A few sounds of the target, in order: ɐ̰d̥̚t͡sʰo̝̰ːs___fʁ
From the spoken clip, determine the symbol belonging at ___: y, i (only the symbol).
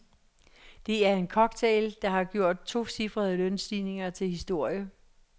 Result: i